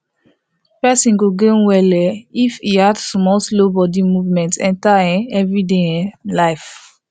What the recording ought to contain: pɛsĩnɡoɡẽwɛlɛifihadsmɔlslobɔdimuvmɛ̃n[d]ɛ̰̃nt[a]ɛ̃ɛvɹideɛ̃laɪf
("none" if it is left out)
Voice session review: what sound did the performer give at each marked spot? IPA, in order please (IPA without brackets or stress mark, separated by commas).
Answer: t, a